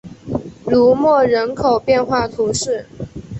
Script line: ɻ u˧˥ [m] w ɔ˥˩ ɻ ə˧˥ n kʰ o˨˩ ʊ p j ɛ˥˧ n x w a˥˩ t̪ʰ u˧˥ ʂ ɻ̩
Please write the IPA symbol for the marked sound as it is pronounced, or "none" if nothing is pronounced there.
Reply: m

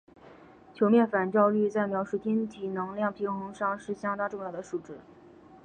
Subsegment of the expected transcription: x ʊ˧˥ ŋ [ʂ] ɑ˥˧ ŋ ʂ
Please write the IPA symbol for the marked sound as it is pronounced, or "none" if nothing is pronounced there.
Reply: ʂ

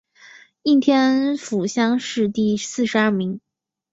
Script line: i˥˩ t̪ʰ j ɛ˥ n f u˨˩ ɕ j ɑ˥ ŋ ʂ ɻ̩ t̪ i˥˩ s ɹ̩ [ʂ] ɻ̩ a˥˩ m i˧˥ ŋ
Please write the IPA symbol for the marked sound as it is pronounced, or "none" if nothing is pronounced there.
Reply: ʂ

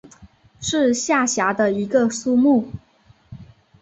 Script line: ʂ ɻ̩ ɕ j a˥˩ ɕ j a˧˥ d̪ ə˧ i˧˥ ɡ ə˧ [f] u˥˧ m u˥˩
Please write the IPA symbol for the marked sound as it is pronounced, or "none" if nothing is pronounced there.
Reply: s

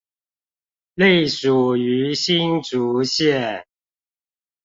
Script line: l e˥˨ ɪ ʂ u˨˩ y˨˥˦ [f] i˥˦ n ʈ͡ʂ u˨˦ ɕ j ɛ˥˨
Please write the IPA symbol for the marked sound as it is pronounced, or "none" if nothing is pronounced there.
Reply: ɕ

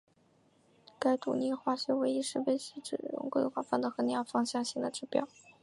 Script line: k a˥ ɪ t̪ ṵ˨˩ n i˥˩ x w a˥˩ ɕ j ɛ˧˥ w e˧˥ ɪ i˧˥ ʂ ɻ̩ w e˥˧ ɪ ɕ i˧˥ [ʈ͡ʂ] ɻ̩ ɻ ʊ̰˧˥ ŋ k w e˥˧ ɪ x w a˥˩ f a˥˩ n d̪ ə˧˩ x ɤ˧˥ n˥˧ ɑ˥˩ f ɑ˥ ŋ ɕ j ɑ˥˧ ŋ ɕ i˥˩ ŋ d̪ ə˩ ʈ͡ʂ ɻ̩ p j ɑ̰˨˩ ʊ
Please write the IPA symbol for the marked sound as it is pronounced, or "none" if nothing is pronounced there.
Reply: ʈ͡ʂ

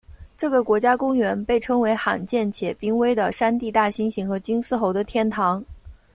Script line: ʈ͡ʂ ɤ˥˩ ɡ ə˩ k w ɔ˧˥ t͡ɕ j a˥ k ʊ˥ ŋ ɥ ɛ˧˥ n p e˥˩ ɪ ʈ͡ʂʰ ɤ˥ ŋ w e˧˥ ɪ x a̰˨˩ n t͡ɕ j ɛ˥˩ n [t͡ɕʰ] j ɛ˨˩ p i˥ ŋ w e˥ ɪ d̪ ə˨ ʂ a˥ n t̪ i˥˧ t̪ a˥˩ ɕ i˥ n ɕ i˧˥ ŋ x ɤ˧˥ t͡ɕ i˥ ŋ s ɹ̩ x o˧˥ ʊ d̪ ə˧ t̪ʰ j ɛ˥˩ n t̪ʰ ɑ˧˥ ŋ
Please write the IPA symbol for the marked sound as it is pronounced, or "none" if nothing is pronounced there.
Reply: t͡ɕʰ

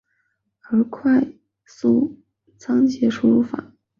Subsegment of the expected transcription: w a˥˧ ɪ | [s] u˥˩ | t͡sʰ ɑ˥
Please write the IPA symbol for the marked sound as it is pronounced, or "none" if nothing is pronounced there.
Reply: s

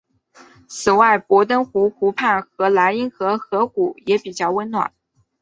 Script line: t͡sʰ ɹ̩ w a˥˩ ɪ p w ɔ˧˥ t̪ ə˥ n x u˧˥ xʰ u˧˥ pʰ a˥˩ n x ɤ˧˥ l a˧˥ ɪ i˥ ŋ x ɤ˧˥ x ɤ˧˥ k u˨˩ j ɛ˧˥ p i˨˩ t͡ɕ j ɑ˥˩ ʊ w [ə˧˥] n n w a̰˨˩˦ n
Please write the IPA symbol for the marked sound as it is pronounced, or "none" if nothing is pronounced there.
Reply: ə˥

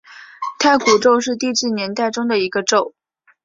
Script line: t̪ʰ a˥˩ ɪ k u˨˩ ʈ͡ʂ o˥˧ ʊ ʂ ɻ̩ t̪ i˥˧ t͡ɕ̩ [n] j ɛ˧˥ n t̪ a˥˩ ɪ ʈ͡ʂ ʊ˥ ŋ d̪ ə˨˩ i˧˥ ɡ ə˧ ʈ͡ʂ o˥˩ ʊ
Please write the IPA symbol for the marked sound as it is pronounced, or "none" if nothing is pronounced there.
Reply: n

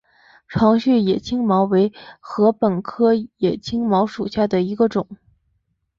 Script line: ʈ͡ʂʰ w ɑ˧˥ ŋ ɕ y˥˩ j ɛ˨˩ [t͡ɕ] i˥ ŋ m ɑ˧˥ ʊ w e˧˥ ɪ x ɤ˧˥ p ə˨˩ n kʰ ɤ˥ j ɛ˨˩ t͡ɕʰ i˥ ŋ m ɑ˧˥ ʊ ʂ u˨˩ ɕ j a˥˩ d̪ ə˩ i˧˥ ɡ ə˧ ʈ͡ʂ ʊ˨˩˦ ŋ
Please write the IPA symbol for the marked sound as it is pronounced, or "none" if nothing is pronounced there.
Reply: t͡ɕʰ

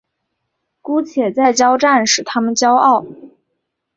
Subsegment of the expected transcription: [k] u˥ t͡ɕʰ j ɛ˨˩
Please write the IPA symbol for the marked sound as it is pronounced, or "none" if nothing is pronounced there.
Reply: k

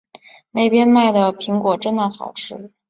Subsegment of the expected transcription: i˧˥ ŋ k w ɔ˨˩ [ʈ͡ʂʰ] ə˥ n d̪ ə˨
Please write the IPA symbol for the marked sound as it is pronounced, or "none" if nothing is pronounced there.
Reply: ʈ͡ʂ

